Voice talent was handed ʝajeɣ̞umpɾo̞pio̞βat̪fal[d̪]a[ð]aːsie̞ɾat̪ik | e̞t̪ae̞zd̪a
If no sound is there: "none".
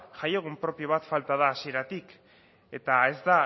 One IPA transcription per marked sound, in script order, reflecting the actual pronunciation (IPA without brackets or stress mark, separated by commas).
t̪, ð